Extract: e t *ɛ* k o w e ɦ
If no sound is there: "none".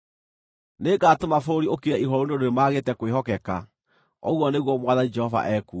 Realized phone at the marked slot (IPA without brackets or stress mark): ɛ